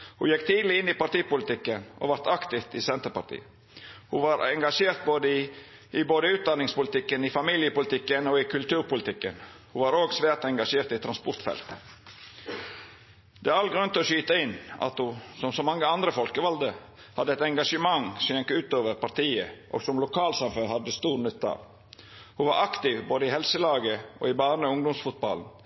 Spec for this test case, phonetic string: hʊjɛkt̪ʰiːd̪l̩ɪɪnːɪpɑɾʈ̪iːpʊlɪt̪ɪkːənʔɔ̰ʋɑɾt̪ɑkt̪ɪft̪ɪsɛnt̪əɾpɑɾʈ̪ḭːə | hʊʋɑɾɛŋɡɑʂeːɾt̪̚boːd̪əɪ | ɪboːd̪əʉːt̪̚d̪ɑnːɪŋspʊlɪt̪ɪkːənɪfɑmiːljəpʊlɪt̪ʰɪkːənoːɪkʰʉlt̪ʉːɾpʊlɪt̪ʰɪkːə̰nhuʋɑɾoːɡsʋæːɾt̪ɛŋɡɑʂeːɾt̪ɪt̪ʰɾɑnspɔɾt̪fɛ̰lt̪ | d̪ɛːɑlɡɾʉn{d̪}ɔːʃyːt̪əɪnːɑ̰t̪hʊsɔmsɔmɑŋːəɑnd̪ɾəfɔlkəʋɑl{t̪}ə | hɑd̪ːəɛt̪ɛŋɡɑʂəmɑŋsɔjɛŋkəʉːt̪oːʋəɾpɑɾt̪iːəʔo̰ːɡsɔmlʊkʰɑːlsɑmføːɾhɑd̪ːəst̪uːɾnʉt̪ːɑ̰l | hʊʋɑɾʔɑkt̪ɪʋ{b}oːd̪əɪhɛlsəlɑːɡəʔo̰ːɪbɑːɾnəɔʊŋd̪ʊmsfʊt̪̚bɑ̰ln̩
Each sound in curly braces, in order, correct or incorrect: incorrect, incorrect, correct

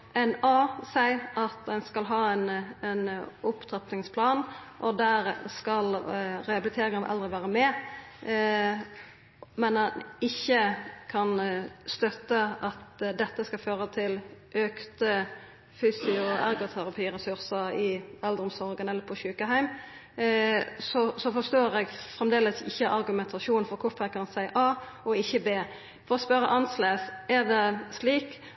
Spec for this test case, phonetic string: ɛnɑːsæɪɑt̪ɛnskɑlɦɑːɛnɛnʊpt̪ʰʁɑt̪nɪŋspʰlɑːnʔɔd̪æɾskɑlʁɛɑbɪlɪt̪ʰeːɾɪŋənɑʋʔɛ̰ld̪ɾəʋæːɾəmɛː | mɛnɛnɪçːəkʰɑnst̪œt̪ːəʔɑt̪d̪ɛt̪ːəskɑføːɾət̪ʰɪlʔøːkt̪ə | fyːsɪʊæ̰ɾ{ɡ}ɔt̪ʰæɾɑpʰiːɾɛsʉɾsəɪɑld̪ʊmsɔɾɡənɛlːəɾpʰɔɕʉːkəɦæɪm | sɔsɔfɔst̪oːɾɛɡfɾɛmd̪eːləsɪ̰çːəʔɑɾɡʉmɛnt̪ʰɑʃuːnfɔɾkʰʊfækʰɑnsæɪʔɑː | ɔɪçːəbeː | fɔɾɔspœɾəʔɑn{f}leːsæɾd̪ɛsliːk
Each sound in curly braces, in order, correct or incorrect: correct, incorrect

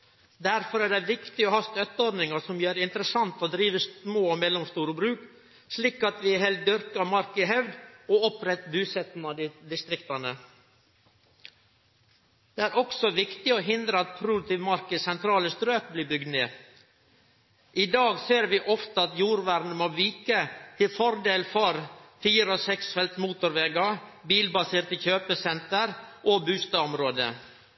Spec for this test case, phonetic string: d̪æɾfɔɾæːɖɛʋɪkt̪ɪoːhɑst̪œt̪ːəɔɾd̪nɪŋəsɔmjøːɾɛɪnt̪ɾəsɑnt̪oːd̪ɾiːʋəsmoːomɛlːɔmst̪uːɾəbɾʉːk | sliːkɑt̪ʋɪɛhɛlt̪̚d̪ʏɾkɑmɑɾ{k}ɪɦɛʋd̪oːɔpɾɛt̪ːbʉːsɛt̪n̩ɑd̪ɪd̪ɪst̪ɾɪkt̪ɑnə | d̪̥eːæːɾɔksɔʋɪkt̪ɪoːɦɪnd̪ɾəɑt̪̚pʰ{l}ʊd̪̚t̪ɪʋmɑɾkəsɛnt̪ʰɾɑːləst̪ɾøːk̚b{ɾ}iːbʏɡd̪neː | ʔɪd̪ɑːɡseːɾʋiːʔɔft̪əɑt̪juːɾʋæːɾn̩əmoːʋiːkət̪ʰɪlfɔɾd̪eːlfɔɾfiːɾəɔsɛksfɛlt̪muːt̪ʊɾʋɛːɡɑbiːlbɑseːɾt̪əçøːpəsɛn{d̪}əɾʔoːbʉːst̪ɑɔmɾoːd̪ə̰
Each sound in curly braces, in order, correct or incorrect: correct, incorrect, incorrect, incorrect

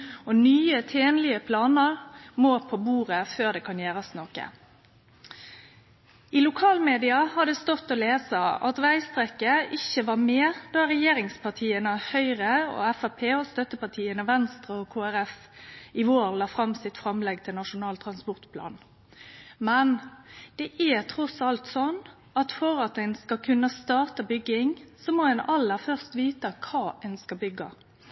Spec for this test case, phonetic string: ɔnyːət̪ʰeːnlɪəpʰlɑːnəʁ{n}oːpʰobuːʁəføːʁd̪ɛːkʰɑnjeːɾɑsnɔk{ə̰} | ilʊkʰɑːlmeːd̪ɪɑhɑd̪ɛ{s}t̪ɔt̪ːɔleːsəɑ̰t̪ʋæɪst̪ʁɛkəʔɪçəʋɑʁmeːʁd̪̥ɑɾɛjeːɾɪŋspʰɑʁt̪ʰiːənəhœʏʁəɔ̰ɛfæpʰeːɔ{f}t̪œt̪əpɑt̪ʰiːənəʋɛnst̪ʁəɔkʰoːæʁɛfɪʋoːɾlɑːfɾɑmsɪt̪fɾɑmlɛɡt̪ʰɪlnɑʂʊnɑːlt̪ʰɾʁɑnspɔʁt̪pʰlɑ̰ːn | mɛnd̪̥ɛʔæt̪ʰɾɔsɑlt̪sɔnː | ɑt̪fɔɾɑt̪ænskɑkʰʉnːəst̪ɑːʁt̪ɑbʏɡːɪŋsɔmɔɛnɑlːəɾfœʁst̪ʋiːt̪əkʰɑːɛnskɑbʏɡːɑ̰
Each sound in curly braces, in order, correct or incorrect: incorrect, correct, correct, incorrect

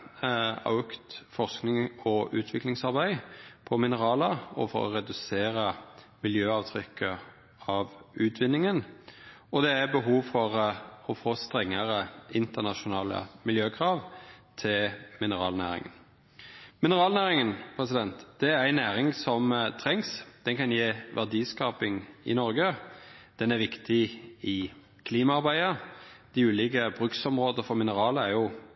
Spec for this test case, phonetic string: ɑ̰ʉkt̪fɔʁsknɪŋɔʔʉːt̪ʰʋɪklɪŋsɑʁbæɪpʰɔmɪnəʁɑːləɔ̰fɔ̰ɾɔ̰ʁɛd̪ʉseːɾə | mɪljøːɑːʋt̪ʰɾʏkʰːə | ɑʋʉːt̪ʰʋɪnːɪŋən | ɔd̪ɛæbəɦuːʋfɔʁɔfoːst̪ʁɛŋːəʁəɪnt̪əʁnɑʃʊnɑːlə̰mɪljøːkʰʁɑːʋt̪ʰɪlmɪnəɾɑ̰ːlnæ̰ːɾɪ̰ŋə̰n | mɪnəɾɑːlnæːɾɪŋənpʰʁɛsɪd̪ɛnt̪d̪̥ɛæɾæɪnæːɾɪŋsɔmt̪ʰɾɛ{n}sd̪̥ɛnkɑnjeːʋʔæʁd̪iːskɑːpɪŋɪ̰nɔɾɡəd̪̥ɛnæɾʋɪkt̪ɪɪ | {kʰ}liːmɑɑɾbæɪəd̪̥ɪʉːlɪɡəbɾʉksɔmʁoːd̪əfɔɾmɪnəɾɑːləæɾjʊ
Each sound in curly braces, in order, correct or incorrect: incorrect, correct

